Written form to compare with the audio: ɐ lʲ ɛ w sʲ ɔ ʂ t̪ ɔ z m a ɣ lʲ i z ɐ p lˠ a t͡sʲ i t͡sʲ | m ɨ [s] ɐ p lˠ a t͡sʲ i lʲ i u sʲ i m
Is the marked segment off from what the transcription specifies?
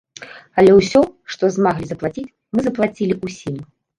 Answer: yes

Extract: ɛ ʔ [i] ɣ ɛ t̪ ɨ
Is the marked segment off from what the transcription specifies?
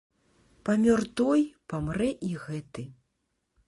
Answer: no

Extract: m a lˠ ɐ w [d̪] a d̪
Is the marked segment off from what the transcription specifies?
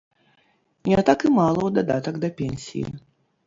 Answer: no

